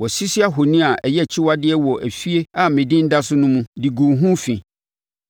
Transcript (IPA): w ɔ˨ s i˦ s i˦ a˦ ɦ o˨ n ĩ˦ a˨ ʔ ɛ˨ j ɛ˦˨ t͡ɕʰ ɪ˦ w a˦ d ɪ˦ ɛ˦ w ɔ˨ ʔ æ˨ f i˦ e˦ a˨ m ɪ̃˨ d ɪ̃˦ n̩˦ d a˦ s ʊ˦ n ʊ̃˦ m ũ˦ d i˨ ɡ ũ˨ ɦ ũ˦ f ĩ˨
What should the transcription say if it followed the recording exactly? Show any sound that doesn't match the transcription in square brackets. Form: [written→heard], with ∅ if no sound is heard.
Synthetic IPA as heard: w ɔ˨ s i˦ s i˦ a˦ ɦ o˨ n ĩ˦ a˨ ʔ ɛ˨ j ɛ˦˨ t͡ɕʰ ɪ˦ w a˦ d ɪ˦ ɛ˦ w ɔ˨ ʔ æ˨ f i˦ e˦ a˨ m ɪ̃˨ d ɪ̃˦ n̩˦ d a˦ s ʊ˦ n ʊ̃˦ m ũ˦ d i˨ ɡ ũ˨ ɦ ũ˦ f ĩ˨